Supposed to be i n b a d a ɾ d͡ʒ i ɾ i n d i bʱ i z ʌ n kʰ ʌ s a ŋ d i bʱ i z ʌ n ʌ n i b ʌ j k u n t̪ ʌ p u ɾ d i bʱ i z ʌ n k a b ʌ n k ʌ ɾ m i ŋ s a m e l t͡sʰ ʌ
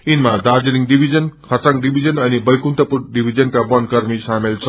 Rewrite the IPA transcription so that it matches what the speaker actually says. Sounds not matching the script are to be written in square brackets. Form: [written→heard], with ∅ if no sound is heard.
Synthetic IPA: i n [b→m] a d a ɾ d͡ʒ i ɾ i [n→ŋ] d i bʱ i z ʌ n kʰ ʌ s a ŋ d i bʱ i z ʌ n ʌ n i b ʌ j k u n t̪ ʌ p u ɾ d i bʱ i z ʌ n k a b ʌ n k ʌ ɾ m i [ŋ→∅] s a m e l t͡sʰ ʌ